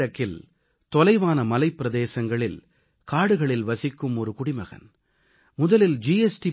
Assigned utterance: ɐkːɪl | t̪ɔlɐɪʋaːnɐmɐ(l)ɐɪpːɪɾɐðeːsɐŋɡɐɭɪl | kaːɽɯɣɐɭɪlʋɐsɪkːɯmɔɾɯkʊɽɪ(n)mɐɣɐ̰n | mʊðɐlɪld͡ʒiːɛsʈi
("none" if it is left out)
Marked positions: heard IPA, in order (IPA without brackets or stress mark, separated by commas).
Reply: l, none